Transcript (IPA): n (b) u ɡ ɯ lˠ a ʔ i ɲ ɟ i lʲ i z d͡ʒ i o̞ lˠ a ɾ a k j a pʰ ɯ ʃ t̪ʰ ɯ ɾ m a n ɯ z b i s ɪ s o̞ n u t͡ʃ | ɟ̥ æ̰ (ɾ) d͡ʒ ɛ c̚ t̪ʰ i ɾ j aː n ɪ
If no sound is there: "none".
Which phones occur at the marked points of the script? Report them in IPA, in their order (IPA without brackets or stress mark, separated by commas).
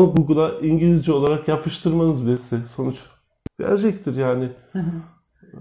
ɡ, ɾ